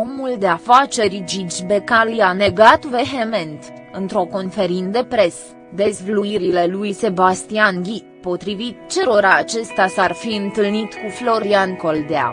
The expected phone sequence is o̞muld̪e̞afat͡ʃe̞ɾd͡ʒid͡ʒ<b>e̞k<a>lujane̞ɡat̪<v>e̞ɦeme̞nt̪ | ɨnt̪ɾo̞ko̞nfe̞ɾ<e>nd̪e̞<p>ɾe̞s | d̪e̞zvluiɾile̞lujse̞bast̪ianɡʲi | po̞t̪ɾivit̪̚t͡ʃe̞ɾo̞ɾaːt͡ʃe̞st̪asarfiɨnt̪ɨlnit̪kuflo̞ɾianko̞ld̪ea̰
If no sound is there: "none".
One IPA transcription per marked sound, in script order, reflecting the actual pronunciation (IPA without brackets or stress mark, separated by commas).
b, a, v, i, p